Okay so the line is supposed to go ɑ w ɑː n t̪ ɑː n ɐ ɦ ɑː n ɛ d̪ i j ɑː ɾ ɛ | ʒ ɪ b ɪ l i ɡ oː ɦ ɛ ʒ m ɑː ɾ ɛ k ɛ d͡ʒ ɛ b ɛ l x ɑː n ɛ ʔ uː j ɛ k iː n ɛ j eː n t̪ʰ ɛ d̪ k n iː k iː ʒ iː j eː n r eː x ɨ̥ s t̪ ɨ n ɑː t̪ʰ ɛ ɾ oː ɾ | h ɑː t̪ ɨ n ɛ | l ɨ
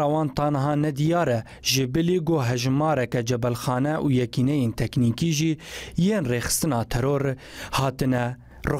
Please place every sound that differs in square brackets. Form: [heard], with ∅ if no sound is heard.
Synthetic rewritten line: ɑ w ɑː n t̪ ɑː n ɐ ɦ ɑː n ɛ d̪ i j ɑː ɾ ɛ | ʒ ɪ b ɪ l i ɡ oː ɦ ɛ ʒ m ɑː ɾ ɛ k ɛ d͡ʒ ɛ b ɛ l x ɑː n ɛ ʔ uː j ɛ k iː n ɛ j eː n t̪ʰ ɛ [∅] k n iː k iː ʒ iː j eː n r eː x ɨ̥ s t̪ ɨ n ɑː t̪ʰ ɛ ɾ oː ɾ | h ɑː t̪ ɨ n ɛ | [r] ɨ